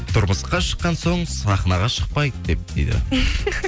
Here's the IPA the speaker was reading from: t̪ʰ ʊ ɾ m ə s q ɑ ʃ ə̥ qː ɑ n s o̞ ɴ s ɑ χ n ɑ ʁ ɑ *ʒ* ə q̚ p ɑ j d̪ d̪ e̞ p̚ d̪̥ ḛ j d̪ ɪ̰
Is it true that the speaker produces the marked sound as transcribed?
no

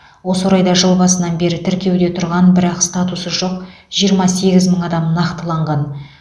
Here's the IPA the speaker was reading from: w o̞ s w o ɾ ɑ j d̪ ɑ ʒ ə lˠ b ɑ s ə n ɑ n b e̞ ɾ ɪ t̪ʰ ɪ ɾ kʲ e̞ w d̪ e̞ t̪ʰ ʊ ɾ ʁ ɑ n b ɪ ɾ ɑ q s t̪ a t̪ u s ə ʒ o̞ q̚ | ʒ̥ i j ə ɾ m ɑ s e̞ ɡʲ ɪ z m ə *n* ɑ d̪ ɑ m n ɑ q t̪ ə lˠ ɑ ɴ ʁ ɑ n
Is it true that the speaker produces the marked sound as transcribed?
no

